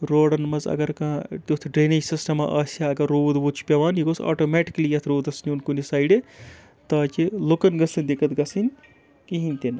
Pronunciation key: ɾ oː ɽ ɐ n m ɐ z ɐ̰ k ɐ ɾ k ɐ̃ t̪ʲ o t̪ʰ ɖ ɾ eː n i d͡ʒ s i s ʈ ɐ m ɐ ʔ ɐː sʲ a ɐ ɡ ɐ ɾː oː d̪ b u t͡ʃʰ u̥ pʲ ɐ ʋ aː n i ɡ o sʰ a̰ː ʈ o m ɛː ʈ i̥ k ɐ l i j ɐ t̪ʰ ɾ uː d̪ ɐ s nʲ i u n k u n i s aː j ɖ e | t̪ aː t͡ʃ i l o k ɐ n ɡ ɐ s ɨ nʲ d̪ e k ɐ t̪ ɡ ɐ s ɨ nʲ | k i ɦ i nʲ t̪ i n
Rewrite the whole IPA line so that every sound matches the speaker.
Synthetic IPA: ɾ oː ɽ ɐ n m ɐ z ɐ̰ ɡ ɐ ɾ k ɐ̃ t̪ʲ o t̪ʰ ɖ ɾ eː n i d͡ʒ s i s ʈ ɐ m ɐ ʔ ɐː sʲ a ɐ ɡ ɐ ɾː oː d̪ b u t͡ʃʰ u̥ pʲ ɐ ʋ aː n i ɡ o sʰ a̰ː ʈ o m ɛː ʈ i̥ k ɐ l i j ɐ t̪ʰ ɾ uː d̪ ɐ s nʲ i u n k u n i s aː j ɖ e | t̪ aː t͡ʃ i l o k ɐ n ɡ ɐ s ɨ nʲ d̪ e k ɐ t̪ ɡ ɐ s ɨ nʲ | k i ɦ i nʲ t̪ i n